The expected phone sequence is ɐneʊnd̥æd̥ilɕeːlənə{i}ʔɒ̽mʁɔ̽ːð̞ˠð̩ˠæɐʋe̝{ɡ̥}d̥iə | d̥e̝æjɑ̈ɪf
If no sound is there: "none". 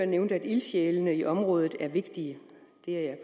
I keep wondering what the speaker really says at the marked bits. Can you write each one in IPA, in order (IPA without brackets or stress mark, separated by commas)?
i, ɡ̥